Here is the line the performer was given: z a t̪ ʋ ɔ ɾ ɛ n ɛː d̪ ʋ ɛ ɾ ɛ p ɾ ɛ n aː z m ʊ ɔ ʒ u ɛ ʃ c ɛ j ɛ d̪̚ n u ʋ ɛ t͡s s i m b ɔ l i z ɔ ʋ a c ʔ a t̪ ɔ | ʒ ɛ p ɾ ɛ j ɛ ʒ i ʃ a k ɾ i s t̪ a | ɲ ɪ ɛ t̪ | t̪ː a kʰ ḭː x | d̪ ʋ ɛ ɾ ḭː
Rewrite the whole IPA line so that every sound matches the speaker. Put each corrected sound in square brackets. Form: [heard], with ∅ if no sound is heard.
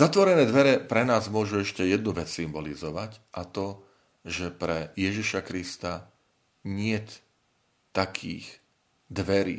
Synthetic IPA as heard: z a t̪ ʋ ɔ ɾ ɛ n ɛː d̪ ʋ ɛ ɾ ɛ p ɾ ɛ n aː z m ʊ ɔ ʒ u ɛ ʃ c ɛ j ɛ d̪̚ n u ʋ ɛ t͡s s i m b ɔ l i z ɔ ʋ a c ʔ a t̪ ɔ | ʒ ɛ p ɾ ɛ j ɛ ʒ i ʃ a k ɾ i s t̪ a | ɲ ɪ ɛ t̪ | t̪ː a kʰ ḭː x | d̪ ʋ ɛ ɾ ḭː